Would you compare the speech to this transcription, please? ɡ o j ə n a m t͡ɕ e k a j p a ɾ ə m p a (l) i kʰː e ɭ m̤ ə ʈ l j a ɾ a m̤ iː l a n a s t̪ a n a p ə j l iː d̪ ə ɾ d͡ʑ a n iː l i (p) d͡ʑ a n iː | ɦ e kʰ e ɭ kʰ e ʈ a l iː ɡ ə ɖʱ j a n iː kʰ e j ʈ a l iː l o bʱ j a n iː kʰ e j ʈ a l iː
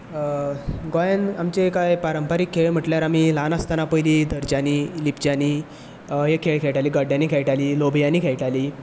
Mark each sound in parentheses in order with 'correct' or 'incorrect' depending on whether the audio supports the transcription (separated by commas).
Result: incorrect, correct